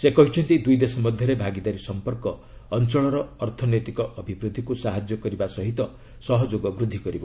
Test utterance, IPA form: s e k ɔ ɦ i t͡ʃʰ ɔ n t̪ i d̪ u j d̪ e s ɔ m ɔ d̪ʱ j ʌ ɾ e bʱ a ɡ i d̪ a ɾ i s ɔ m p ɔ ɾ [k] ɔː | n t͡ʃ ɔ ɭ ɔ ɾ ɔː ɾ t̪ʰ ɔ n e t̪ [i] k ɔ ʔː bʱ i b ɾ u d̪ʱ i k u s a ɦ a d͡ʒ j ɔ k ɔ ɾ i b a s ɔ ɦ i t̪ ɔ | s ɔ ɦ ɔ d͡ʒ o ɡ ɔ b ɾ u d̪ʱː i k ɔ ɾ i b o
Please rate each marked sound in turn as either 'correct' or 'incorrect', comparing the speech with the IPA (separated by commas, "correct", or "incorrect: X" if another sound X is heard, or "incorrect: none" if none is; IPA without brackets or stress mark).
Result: correct, correct